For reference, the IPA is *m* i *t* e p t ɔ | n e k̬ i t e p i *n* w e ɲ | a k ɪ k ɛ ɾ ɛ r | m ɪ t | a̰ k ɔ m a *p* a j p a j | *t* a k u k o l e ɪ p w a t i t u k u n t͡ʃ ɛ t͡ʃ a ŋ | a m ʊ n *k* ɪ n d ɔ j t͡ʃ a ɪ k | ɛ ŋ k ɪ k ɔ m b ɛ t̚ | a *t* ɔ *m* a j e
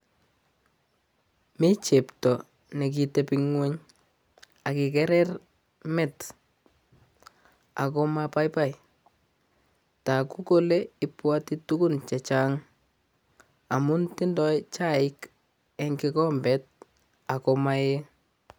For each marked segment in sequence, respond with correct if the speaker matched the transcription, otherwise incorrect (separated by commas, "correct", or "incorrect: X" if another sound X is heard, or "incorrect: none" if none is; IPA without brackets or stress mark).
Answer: correct, incorrect: t͡ʃ, incorrect: ŋ, correct, correct, incorrect: t, incorrect: k, correct